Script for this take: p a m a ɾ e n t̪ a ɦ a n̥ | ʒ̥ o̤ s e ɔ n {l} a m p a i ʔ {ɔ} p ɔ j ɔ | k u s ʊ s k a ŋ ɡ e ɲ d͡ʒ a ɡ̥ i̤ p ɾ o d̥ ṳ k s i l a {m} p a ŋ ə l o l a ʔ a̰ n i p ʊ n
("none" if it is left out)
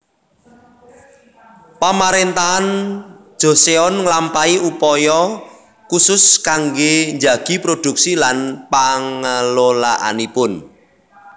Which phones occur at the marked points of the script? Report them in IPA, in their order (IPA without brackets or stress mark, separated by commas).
l, u, n